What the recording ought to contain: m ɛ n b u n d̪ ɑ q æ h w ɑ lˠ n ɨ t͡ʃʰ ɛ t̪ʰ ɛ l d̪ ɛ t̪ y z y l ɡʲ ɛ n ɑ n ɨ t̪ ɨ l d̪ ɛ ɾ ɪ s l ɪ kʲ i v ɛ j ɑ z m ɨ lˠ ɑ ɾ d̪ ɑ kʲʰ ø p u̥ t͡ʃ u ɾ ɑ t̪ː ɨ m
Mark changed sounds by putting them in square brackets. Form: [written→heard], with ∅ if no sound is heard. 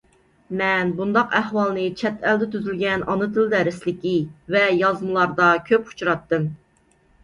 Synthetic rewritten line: m ɛ n b u n d̪ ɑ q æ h w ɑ lˠ n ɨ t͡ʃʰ ɛ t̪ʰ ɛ l d̪ ɛ t̪ y z y l ɡʲ ɛ n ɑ n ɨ t̪ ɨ l d̪ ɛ ɾ ɪ s l ɪ kʲ i v ɛ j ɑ z m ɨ lˠ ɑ ɾ d̪ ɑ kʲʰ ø p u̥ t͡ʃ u ɾ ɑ t̪ː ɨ m